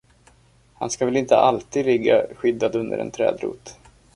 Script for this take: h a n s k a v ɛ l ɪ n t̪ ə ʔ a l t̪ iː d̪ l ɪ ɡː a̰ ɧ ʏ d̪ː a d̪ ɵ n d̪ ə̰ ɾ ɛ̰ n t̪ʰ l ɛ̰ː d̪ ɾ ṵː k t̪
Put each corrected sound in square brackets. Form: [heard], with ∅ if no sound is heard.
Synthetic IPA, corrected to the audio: h a n s k a v ɛ l ɪ n t̪ ə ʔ a l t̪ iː d̪ l ɪ ɡː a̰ ɧ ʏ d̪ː a d̪ ɵ n d̪ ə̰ ɾ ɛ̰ n t̪ʰ [ɾ] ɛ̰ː d̪ ɾ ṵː [∅] t̪